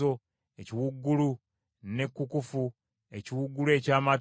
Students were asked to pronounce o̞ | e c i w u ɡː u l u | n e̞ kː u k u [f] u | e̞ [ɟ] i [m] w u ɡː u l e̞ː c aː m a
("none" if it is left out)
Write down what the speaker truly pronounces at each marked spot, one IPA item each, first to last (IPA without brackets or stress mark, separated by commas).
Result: f, c, none